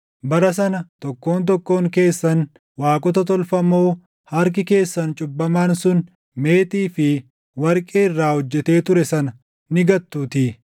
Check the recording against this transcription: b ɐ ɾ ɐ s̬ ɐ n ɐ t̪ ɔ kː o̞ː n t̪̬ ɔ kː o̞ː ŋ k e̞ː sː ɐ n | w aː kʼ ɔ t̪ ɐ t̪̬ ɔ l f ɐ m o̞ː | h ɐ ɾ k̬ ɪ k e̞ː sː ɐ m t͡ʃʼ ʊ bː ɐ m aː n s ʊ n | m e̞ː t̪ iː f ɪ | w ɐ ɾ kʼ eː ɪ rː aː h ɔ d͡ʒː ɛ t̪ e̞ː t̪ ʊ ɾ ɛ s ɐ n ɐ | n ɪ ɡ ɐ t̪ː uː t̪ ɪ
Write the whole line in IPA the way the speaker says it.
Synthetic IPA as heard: b ɐ ɾ ɐ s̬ ɐ n ɐ t̪ ɔ kː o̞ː n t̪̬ ɔ kː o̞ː ŋ k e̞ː sː ɐ n | w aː kʼ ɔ t̪ ɐ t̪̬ ɔ l f ɐ m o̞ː | h ɐ ɾ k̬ ɪ k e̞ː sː ɐ n t͡ʃʼ ʊ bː ɐ m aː n s ʊ n | m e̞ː t̪ iː f ɪ | w ɐ ɾ kʼ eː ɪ rː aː h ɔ d͡ʒː ɛ t̪ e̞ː t̪ ʊ ɾ ɛ s ɐ n ɐ | n ɪ ɡ ɐ t̪ː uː t̪ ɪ